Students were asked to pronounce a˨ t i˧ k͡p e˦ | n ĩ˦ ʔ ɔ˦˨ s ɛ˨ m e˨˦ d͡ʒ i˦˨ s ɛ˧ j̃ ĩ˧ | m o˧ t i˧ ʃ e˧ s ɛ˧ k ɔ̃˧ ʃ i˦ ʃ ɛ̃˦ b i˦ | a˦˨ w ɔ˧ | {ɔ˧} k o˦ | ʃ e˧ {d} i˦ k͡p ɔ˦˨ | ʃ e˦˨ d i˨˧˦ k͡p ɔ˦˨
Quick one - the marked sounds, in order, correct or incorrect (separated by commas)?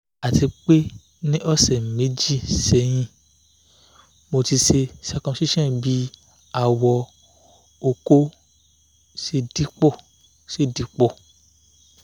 incorrect, correct